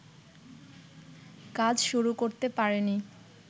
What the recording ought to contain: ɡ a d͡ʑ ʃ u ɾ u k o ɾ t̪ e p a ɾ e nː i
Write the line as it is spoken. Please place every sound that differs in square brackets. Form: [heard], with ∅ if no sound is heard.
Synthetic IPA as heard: [k] a d͡ʑ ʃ u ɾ u k o ɾ t̪ e p a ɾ e [n] i